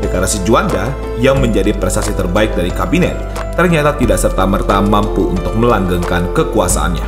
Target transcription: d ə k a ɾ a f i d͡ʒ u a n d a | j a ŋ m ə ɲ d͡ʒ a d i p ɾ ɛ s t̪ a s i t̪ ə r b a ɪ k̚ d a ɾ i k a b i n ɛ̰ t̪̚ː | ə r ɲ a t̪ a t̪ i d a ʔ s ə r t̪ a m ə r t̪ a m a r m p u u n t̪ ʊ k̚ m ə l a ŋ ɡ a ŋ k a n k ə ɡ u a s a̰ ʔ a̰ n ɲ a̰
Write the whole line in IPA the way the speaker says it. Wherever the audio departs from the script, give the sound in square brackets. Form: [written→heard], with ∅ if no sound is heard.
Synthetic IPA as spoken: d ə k a ɾ a [f→s] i d͡ʒ u a n d a | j a ŋ m ə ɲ d͡ʒ a d i p ɾ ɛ s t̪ a s i t̪ ə r b a ɪ k̚ d a ɾ i k a b i n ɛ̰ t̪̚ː | ə r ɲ a t̪ a t̪ i d a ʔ s ə r t̪ a m ə r t̪ a m a [r→∅] m p u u n t̪ ʊ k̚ m ə l a ŋ ɡ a ŋ k a n k ə [ɡ→k] u a s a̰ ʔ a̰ n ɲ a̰